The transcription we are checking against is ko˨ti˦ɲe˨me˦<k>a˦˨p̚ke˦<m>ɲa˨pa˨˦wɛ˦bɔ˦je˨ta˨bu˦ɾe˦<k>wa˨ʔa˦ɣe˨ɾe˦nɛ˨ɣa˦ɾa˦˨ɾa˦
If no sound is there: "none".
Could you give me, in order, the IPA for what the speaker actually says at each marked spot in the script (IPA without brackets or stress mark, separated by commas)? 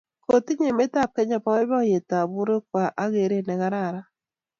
t, none, k